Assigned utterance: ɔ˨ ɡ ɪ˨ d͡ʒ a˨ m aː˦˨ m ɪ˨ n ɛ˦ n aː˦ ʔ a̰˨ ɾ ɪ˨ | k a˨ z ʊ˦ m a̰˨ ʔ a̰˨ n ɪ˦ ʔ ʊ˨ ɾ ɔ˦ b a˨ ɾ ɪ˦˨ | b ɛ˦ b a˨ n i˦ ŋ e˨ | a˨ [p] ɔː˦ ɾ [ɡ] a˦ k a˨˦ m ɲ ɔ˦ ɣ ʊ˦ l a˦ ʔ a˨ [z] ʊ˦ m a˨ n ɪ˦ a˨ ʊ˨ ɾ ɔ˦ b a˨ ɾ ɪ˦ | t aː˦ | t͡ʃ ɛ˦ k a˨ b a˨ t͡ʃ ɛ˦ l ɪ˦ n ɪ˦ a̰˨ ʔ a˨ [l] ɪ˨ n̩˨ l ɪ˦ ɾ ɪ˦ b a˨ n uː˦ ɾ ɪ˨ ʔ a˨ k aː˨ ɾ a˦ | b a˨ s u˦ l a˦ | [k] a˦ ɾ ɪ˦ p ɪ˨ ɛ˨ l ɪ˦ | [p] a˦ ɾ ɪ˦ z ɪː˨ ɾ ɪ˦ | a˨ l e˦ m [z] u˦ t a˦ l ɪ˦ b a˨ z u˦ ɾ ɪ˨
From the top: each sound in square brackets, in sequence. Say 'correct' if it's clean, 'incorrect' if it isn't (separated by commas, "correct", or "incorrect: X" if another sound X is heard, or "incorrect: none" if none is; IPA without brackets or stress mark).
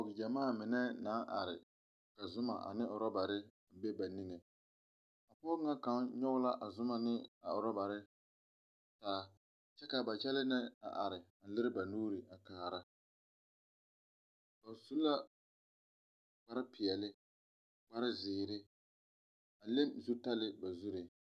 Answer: correct, incorrect: ŋ, correct, incorrect: ɾ, incorrect: k͡p, incorrect: k͡p, correct